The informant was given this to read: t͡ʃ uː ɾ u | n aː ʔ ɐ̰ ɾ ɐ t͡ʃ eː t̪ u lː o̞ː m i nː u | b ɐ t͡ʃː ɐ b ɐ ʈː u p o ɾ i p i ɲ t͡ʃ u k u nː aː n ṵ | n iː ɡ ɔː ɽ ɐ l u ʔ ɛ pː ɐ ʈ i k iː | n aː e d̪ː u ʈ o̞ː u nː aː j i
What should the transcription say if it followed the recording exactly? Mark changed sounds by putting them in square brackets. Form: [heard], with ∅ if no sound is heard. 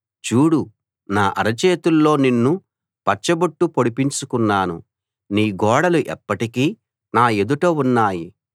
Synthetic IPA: t͡ʃ uː [ɽ] u | n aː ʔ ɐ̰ ɾ ɐ t͡ʃ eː t̪ u lː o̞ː [n] i nː u | [p] ɐ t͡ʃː ɐ b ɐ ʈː u p o [ɽ] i p i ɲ t͡ʃ u k u nː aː n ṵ | n iː ɡ ɔː ɽ ɐ l u ʔ ɛ pː ɐ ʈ i k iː | n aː e [d̪] u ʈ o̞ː u nː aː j i